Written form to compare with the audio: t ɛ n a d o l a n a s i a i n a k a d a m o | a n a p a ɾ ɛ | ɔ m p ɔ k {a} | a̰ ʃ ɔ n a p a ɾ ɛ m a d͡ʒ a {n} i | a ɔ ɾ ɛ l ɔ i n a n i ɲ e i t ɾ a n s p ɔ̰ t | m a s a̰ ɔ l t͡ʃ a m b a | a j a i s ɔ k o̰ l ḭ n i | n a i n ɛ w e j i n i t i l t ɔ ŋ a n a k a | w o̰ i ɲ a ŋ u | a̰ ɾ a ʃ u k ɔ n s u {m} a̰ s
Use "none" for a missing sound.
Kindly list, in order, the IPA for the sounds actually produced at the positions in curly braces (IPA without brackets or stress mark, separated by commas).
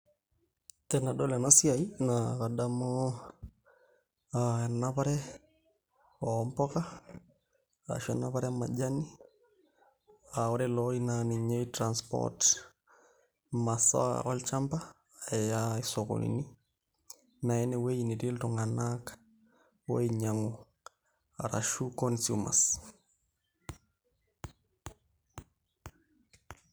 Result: a, n, m